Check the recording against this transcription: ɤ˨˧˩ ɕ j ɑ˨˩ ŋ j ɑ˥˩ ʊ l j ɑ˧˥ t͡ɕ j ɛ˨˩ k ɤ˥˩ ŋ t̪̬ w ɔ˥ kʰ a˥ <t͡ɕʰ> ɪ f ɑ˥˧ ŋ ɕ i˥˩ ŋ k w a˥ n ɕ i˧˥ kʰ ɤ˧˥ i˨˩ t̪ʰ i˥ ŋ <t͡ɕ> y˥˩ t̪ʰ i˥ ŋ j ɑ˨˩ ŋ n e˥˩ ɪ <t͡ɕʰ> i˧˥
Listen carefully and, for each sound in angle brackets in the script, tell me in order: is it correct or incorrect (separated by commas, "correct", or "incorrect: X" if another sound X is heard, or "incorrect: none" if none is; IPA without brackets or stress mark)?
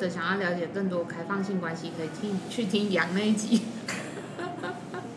incorrect: none, incorrect: t͡ɕʰ, incorrect: t͡ɕ